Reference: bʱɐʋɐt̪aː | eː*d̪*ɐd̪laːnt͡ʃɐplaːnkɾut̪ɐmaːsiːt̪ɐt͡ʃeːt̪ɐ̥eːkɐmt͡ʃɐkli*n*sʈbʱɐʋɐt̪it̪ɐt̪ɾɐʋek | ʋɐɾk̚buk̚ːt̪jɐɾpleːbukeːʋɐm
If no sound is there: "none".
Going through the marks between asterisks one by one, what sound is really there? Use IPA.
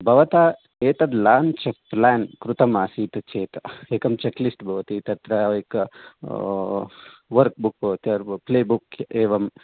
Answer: t̪, none

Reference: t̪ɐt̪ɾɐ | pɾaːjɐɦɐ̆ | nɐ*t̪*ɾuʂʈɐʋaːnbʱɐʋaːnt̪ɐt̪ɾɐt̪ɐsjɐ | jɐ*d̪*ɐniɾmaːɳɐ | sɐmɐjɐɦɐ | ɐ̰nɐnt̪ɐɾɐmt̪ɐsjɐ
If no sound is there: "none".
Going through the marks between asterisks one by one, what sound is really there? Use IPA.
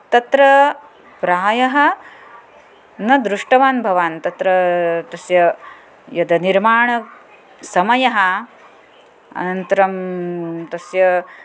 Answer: d̪, d̪

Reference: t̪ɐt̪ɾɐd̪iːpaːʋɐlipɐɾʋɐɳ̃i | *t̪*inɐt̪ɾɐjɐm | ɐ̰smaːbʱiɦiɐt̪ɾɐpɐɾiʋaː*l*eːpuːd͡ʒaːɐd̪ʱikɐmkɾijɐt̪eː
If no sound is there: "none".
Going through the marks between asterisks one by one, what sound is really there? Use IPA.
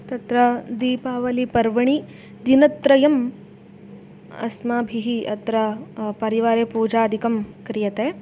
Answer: d̪, ɾ

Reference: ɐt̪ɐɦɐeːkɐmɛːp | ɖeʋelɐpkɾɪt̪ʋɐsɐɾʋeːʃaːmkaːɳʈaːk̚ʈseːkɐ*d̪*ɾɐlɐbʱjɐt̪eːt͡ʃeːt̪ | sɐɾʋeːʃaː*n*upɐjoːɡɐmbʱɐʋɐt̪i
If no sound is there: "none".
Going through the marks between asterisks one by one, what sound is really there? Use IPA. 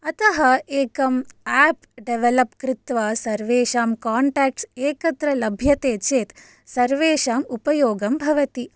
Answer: t̪, m

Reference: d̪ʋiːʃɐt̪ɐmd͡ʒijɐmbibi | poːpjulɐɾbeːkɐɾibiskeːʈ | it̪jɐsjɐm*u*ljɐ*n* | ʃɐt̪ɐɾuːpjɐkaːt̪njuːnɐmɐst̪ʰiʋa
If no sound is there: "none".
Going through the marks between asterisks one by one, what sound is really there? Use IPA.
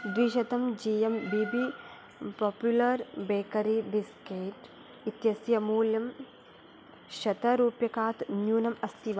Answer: uː, m

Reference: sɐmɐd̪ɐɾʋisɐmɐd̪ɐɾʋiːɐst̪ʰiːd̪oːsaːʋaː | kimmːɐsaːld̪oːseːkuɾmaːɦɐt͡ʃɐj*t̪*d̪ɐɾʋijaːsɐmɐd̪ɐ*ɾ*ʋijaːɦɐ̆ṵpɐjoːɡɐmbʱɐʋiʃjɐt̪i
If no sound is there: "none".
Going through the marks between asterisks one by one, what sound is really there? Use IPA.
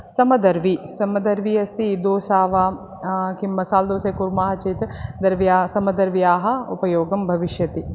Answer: t̪, ɾ

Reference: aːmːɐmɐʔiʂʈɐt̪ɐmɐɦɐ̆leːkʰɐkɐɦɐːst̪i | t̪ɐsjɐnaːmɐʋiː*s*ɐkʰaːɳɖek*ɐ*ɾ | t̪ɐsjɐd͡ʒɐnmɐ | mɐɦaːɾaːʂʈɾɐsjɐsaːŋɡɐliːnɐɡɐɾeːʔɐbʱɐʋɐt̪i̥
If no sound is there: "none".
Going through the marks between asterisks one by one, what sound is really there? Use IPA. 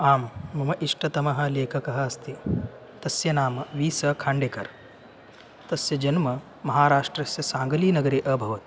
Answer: s, ɐ

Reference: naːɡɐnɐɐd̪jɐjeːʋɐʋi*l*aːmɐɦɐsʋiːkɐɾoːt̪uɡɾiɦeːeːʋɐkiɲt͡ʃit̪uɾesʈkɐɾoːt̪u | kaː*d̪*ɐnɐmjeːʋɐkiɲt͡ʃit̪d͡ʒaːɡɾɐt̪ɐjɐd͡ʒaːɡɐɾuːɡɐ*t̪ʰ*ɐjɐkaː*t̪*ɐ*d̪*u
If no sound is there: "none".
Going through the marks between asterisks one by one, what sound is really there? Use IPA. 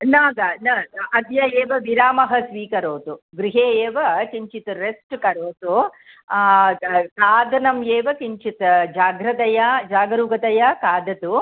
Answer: ɾ, d̪, t̪, d̪, t̪

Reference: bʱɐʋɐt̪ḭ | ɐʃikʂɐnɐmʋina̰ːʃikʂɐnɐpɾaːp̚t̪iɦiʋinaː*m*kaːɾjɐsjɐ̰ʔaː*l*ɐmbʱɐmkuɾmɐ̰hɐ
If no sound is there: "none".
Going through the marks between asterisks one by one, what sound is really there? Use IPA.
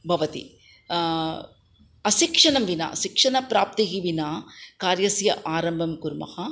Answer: none, ɾ

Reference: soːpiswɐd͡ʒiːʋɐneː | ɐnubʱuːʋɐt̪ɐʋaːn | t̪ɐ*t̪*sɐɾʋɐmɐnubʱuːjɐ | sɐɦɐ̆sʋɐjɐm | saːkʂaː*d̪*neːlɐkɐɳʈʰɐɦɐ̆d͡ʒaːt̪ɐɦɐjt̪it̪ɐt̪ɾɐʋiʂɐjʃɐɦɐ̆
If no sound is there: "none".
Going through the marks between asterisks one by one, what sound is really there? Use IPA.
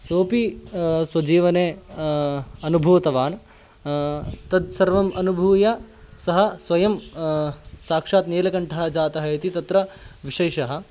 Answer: d̪, t̪

